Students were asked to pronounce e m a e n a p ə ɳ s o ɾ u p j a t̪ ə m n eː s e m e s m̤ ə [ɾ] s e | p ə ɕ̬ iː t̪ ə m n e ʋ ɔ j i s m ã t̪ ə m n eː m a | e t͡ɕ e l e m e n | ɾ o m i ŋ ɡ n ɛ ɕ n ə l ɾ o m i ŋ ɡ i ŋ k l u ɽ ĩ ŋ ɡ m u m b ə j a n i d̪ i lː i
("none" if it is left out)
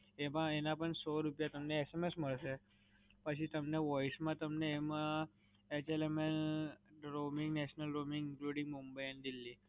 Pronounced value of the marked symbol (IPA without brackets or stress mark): ɭ